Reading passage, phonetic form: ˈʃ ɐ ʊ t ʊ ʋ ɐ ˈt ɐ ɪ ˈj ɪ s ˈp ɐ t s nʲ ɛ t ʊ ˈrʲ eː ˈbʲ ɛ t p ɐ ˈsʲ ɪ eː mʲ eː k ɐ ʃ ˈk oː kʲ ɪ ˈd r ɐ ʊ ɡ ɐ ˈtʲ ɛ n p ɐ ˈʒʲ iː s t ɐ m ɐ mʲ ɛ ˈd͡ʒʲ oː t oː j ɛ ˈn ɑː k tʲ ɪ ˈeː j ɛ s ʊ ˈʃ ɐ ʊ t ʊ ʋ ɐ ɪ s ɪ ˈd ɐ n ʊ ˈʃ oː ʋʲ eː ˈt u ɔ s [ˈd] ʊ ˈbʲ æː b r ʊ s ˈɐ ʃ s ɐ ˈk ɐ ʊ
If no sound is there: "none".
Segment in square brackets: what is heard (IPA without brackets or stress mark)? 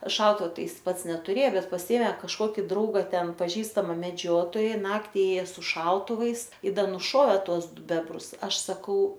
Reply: d